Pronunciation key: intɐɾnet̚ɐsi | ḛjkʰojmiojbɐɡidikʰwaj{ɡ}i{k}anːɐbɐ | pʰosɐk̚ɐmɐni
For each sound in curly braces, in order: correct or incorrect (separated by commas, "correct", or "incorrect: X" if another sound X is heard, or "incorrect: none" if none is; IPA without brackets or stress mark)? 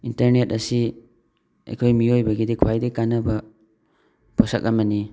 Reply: incorrect: d, correct